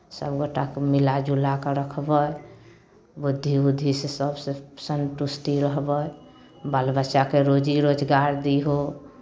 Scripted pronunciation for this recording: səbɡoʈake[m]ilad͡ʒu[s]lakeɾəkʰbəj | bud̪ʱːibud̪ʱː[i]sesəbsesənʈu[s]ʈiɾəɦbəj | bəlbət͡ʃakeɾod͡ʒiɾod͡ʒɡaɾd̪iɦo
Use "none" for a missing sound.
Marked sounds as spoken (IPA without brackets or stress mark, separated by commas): m, none, i, s